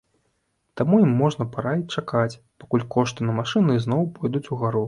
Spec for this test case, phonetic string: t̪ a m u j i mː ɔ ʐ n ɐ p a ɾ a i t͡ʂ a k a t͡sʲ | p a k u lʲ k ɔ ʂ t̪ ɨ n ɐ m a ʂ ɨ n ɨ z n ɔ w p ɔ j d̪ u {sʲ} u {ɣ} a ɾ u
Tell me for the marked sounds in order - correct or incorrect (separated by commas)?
incorrect, correct